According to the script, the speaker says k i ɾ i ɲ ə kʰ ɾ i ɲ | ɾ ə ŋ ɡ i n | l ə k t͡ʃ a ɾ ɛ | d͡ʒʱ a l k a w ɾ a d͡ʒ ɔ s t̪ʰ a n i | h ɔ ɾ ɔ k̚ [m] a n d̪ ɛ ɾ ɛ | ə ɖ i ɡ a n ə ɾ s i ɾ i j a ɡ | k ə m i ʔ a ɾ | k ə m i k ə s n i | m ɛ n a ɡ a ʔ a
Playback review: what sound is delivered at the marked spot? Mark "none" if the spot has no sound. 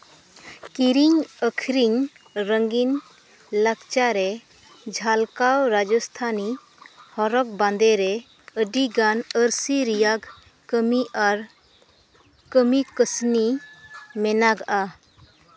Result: b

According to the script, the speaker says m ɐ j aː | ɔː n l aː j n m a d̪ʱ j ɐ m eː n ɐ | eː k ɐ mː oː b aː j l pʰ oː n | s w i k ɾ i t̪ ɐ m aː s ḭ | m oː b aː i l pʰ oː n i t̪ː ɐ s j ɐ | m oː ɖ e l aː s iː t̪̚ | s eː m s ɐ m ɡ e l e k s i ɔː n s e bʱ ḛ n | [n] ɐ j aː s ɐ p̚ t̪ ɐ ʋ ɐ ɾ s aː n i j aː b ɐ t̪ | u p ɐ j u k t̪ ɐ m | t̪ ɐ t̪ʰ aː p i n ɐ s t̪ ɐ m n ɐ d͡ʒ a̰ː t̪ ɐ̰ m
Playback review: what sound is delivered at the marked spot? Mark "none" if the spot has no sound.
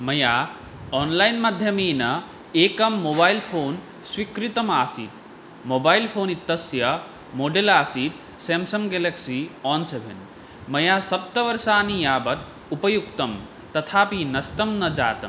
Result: m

